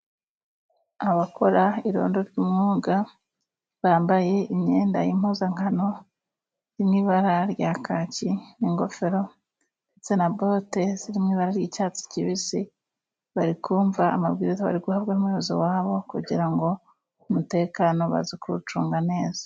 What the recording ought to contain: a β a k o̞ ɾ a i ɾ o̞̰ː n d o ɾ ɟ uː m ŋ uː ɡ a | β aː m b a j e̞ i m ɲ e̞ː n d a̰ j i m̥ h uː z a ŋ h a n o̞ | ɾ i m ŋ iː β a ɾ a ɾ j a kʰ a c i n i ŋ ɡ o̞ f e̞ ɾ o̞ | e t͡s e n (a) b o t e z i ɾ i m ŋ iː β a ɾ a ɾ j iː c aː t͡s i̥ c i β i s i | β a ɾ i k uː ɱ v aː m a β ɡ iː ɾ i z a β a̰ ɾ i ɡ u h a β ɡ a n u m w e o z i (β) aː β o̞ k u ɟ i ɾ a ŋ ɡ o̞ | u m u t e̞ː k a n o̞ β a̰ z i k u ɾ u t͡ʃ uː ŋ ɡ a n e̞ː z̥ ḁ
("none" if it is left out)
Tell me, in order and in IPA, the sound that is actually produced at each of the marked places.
a, w

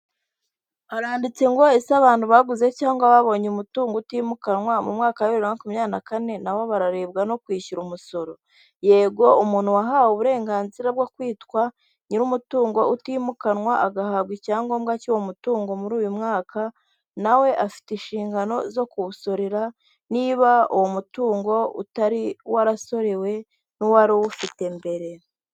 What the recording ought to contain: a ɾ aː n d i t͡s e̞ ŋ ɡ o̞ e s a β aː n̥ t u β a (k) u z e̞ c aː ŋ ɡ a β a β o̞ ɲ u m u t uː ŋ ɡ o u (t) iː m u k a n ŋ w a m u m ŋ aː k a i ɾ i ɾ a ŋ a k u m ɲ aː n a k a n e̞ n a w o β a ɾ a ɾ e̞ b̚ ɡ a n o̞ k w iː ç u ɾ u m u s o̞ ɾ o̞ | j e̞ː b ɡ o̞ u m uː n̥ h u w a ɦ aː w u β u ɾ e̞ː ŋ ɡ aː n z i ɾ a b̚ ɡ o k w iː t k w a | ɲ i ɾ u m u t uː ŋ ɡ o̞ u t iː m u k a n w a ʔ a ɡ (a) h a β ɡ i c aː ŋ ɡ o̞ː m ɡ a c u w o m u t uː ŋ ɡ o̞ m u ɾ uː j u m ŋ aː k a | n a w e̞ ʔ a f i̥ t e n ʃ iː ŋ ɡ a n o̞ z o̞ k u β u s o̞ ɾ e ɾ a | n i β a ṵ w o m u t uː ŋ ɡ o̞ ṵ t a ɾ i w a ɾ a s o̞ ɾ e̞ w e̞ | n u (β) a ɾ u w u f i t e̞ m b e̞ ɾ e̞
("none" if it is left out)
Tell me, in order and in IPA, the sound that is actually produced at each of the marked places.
ɡ, t, a, w

